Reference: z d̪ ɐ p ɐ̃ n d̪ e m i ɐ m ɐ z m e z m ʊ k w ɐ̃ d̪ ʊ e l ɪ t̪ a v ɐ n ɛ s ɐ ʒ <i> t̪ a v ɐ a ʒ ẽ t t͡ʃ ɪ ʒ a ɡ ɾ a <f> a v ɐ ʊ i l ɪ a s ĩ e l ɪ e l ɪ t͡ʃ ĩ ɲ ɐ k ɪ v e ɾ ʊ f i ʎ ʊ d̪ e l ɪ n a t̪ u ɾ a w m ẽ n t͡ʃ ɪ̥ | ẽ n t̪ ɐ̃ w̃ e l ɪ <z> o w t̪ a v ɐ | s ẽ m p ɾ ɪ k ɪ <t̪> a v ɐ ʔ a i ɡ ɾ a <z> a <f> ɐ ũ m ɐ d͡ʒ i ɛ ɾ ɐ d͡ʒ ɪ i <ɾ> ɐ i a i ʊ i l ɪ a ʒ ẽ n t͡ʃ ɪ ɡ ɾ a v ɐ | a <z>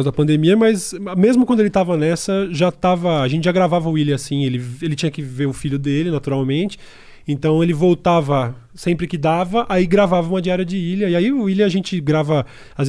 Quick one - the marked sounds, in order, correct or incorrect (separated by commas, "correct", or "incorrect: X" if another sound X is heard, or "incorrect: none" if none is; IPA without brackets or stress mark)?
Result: incorrect: a, incorrect: v, incorrect: v, incorrect: d̪, incorrect: v, incorrect: v, incorrect: l, correct